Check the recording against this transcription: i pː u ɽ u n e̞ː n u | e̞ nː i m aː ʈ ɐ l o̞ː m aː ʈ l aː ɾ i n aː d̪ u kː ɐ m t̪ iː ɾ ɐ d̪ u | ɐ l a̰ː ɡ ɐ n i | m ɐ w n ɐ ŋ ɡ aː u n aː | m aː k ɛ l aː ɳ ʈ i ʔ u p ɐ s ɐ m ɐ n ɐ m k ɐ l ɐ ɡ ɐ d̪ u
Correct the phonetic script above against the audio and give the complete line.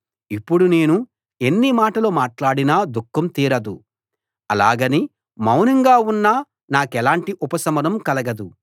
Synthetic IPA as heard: i pː u ɽ u n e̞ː n u | e̞ nː i m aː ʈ ɐ l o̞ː m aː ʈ l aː ɽ i n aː d̪ u kː ɐ m t̪ iː ɾ ɐ d̪ u | ɐ l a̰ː ɡ ɐ n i | m ɐ w n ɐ ŋ ɡ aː u nː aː | n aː k ɛ l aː ɳ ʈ i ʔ u p ɐ s ɐ m ɐ n ɐ m k ɐ l ɐ ɡ ɐ d̪ u